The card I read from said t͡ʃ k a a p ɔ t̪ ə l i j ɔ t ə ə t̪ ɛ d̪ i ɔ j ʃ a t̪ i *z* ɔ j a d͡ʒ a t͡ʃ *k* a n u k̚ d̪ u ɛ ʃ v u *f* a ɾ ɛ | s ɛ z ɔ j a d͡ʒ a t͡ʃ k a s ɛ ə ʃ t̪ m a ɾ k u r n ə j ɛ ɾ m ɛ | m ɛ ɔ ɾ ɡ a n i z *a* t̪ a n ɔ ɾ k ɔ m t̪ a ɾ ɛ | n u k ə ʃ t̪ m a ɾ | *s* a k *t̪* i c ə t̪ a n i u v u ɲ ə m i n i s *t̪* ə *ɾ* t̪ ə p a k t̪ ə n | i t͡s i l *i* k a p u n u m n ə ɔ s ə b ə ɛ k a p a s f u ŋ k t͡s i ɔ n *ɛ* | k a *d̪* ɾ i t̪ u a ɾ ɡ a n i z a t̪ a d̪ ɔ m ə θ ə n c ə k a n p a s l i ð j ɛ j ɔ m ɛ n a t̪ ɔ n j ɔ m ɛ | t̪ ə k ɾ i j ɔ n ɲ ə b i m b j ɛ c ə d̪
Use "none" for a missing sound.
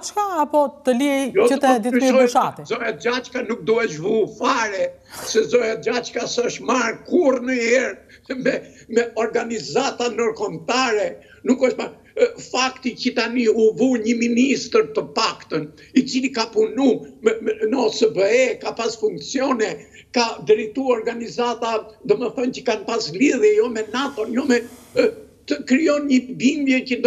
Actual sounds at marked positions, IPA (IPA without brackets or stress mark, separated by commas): z, k, f, a, f, t̪, t̪, ɾ, i, ɛ, d̪